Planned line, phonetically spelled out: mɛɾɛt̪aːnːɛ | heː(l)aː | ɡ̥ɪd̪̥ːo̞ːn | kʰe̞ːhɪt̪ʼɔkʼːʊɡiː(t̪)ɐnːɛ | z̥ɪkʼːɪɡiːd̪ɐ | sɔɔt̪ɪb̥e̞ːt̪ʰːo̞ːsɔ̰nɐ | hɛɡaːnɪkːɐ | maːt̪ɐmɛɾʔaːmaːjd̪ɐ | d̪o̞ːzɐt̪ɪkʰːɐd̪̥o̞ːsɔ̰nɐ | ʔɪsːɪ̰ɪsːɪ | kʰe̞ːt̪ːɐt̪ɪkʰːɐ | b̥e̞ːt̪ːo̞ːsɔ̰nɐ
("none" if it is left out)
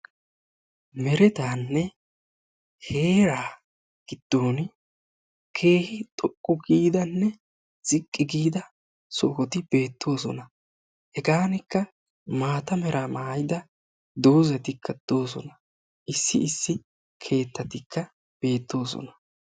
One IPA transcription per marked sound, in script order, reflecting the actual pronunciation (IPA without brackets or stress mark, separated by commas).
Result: ɾ, d̪